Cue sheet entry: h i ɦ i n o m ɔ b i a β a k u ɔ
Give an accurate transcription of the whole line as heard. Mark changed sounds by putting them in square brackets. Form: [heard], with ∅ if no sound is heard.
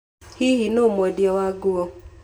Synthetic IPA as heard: h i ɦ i n o m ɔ [d] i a [w] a [ɡ] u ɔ